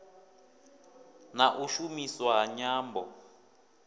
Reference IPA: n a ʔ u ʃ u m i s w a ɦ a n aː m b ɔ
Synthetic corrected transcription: n a ʔ u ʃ u m i s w a ɦ a ɲ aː m b ɔ